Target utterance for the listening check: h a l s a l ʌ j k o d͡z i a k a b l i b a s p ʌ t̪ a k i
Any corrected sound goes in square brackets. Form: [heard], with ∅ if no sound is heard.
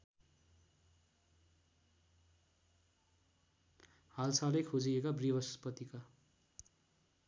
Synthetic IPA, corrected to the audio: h a l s a l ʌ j [kʰ] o d͡z i [e] k a b [r] i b [ʌ] s p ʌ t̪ [i] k [a]